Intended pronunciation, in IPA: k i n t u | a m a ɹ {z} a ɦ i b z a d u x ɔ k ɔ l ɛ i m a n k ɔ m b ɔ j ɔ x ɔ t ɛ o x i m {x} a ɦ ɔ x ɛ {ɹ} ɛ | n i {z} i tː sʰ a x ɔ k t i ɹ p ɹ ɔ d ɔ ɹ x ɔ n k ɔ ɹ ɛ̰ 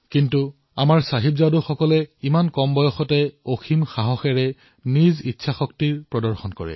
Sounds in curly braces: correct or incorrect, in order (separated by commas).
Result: incorrect, correct, correct, correct